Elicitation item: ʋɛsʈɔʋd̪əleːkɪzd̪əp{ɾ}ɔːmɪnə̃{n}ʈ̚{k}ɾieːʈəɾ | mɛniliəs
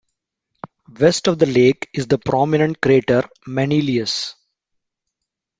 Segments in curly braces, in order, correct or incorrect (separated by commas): correct, incorrect, correct